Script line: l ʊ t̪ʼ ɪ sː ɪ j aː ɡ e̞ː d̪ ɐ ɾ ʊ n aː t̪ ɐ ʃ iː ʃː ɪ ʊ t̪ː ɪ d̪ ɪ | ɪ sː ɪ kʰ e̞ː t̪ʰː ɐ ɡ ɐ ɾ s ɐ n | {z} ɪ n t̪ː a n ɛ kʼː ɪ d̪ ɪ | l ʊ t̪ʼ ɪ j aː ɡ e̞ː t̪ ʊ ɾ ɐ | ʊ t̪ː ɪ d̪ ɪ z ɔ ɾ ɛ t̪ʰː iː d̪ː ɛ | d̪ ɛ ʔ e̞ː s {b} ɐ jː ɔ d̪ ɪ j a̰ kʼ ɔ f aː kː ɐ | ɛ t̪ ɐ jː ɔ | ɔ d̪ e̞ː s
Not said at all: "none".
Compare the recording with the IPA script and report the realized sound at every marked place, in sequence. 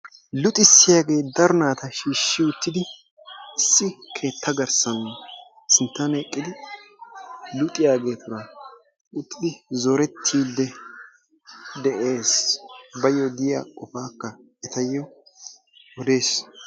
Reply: s, b

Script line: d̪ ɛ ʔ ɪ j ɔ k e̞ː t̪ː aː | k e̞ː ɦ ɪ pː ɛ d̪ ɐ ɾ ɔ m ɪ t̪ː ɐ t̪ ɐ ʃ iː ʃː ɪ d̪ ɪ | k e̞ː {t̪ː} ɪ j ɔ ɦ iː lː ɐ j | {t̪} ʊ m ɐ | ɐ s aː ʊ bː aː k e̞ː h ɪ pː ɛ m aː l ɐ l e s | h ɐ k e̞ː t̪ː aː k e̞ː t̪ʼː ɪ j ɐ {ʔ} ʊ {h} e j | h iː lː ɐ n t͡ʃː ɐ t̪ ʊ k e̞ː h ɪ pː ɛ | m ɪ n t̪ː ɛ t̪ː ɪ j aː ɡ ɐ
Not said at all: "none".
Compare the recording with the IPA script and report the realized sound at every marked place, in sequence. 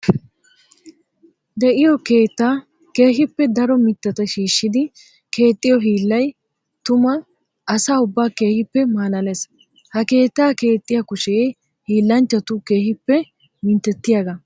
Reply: t̪ʼː, t̪, k, ʃ

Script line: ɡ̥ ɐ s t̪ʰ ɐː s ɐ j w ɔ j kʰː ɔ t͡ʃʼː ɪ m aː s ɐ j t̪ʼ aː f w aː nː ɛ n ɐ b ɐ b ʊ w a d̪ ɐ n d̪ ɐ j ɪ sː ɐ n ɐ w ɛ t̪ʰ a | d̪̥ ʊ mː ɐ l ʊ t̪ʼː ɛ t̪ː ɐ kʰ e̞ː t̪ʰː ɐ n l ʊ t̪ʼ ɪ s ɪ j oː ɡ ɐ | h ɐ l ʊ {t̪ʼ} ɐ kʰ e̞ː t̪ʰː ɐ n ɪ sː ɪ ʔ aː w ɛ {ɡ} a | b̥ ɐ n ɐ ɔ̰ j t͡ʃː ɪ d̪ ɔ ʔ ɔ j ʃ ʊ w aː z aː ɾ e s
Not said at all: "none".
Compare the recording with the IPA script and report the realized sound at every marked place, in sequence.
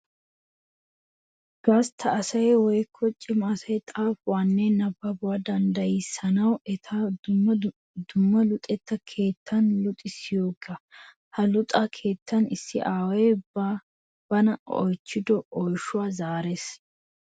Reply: t̪ʼ, b

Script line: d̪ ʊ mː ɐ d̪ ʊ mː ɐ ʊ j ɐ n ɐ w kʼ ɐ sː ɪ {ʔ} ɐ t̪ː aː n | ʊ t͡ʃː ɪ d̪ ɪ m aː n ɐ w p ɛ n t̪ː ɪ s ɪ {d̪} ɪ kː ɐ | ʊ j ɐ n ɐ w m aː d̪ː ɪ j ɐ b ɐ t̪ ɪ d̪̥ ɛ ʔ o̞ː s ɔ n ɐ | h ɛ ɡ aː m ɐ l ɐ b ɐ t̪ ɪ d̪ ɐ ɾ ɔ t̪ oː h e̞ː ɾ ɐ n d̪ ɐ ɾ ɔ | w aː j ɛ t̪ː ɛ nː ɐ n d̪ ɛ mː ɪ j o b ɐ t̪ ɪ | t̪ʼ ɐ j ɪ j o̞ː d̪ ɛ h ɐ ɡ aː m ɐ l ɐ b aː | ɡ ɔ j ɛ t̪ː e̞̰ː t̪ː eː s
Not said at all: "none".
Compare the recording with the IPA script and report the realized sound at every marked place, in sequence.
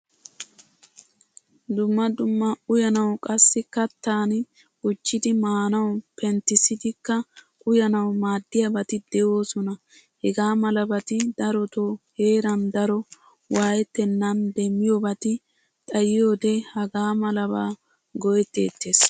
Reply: k, d̪

